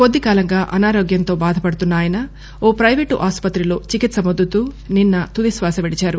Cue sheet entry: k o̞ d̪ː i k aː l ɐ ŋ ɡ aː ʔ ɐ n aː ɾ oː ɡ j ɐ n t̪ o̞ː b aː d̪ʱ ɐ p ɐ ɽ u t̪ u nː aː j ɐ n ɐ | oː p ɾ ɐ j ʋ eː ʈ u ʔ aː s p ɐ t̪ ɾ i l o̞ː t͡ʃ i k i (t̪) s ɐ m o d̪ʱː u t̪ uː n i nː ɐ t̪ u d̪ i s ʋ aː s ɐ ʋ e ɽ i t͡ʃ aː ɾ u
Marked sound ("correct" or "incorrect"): correct